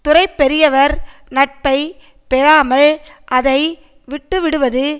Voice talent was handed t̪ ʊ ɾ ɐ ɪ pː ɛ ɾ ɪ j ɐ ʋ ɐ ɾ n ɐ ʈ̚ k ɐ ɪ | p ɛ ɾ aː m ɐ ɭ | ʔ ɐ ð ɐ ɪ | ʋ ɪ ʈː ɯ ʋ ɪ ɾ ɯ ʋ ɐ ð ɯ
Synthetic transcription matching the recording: t̪ ʊ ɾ ɐ ɪ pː ɛ ɾ ɪ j ɐ ʋ ɐ ɾ n ɐ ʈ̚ p ɐ ɪ | p ɛ ɾ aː m ɐ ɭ | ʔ ɐ ð ɐ ɪ | ʋ ɪ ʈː ɯ ʋ ɪ ɽ ɯ ʋ ɐ ð ɯ